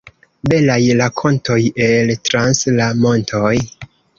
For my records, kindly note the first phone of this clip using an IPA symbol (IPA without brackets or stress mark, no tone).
b